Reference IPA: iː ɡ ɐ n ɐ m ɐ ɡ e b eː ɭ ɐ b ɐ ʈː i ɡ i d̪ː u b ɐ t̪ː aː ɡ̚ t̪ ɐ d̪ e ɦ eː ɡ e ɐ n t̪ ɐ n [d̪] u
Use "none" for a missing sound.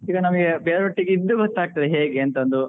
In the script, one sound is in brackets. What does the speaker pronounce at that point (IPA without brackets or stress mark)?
d̪